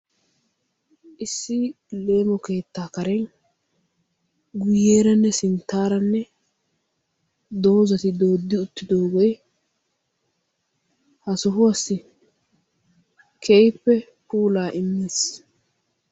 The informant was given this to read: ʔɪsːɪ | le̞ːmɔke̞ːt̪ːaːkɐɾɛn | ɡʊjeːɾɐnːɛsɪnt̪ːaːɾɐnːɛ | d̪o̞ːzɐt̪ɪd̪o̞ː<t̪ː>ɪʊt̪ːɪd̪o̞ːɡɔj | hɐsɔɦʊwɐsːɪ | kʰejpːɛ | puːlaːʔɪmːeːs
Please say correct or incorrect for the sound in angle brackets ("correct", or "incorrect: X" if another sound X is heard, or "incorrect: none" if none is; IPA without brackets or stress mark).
incorrect: d̪ː